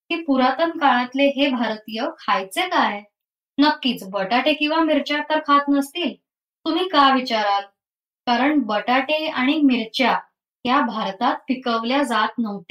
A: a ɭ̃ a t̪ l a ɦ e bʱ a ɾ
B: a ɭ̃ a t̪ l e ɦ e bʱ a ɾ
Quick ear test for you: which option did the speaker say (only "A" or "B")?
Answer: B